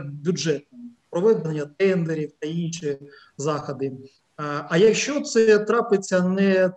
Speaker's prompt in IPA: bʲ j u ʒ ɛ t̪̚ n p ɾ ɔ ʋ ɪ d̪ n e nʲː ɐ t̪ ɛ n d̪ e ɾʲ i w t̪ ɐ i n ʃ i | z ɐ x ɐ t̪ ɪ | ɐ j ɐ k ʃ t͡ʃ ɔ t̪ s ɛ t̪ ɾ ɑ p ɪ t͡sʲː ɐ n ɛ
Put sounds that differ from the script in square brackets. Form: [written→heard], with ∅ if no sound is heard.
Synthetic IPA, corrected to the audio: bʲ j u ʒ ɛ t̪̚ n p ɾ ɔ ʋ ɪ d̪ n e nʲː ɐ t̪ ɛ n d̪ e ɾʲ i w t̪ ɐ i n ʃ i | z [ɐ→ɑ] x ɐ [t̪→d̪] ɪ | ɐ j ɐ k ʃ t͡ʃ ɔ t̪ s ɛ t̪ ɾ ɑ p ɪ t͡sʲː ɐ n ɛ